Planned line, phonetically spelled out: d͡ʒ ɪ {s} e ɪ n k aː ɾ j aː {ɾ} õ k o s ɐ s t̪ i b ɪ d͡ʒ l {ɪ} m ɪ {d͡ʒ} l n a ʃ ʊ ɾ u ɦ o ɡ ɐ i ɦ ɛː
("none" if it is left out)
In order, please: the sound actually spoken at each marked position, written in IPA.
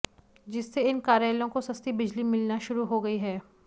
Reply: sː, l, i, none

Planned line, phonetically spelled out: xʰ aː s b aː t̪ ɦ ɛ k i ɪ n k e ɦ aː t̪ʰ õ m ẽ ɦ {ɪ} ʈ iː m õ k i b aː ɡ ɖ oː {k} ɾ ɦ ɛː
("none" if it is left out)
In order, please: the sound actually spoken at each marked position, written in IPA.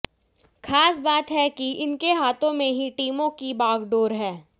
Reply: i, none

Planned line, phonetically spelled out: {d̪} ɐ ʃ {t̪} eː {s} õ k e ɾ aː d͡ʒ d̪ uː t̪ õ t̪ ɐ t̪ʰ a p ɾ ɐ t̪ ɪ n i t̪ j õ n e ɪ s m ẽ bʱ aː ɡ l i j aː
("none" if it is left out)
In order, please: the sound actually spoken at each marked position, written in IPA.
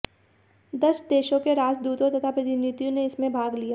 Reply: d̪, d̪, ʃ

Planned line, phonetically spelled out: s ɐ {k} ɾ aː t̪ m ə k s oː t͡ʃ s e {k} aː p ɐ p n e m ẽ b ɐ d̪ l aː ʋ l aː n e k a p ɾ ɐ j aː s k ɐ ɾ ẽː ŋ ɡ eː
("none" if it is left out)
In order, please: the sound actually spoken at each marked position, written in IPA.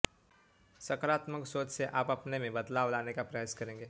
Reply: k, ʔ

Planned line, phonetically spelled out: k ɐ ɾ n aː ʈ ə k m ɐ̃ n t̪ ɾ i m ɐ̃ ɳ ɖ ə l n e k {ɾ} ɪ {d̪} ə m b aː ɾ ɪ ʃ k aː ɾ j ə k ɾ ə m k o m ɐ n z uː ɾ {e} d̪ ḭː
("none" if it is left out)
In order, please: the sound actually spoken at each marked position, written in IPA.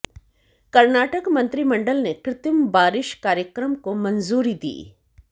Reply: ɾ, t̪, i

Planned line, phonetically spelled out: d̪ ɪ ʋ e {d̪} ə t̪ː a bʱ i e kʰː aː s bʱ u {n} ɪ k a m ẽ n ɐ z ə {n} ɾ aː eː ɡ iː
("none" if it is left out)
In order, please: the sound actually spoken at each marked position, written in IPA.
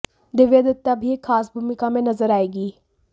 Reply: d̪, m, none

